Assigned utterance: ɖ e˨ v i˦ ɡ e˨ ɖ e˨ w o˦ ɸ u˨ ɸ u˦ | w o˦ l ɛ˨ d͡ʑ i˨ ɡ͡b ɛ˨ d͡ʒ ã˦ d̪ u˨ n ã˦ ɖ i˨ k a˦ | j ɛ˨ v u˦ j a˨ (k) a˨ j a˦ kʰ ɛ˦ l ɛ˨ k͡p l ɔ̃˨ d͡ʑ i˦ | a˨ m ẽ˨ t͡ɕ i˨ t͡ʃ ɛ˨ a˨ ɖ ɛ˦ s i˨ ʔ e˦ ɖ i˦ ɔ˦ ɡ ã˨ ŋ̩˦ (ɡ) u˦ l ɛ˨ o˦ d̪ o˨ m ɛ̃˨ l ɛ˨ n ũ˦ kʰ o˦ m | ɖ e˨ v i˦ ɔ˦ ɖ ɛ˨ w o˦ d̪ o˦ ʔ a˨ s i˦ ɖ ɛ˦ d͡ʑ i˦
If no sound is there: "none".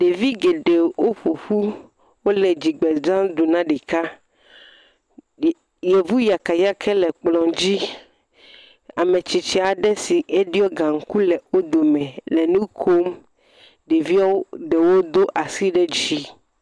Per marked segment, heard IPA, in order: k, k

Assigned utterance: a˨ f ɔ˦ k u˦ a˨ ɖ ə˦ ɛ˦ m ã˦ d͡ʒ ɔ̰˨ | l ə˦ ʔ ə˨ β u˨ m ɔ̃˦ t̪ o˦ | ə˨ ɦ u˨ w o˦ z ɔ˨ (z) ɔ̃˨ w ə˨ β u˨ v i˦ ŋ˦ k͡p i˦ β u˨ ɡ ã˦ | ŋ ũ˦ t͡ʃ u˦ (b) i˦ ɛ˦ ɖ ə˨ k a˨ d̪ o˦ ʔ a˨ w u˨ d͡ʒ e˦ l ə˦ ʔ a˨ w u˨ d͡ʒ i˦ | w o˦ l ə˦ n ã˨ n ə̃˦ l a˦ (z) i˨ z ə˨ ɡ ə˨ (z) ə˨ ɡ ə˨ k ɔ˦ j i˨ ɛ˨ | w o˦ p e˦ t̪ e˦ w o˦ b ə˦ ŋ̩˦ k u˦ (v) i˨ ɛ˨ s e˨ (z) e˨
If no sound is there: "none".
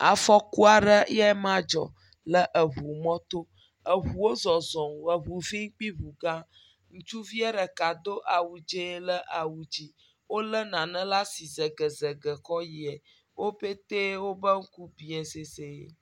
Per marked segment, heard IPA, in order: z, v, s, z, b, s

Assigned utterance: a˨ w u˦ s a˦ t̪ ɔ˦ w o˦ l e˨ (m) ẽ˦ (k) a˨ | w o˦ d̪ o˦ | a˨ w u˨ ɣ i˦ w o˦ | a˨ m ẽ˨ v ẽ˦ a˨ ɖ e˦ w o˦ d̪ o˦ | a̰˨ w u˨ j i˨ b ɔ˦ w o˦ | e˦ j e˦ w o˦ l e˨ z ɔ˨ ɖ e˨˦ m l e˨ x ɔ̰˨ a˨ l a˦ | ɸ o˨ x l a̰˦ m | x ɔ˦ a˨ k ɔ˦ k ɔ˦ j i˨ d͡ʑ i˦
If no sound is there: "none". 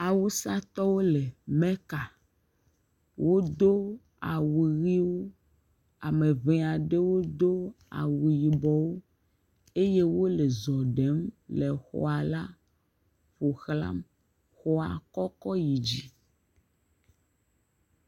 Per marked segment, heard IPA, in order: m, k

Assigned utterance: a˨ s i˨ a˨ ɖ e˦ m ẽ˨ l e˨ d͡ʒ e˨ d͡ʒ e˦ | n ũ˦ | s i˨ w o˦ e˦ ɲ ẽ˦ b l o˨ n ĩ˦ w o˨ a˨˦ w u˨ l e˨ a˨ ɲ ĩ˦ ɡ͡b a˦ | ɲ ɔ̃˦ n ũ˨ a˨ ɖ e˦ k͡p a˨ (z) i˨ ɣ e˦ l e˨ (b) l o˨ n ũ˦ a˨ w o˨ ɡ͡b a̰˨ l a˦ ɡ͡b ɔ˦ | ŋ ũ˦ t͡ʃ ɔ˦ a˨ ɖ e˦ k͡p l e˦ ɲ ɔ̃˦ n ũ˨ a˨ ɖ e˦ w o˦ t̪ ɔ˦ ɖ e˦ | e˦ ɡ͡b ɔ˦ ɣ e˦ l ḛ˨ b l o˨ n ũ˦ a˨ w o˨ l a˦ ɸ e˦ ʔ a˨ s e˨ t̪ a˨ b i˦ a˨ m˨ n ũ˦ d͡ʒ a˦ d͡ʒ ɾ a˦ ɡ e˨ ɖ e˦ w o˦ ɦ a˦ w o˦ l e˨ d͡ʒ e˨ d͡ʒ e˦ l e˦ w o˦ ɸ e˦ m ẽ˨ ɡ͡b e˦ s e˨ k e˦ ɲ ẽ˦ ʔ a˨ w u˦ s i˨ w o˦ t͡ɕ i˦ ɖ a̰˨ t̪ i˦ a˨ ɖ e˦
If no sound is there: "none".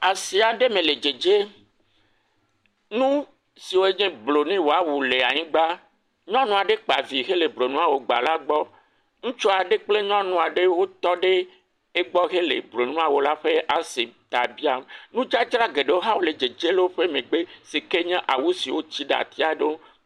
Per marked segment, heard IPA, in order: v, b

